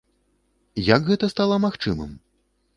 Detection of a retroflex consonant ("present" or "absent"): present